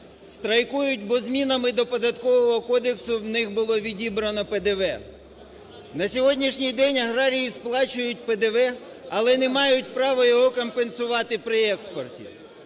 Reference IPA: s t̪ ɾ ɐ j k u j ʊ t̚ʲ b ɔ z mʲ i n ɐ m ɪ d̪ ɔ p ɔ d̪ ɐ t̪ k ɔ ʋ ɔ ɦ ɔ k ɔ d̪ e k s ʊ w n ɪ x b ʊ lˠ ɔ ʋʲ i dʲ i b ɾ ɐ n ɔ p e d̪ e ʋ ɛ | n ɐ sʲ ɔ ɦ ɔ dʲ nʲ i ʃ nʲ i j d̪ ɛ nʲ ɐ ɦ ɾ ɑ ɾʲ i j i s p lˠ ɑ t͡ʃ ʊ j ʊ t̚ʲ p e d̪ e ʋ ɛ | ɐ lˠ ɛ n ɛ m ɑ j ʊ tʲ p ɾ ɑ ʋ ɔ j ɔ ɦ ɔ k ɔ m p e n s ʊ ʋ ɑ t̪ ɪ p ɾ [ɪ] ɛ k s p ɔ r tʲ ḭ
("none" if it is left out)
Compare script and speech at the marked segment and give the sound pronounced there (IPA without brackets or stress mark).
ɪ